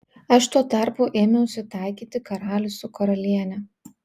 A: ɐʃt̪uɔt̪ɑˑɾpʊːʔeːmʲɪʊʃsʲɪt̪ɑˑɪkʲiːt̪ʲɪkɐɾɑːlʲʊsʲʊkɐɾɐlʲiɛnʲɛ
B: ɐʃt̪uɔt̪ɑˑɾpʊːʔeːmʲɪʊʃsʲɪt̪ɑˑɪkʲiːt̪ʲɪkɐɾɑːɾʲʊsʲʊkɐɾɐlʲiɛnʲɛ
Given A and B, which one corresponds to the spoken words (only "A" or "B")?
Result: A